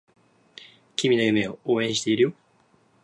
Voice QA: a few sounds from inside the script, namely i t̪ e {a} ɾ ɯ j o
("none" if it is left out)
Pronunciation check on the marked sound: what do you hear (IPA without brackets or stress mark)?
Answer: i